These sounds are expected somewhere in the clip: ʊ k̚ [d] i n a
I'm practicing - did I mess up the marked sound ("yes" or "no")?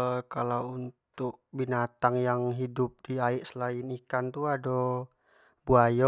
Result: yes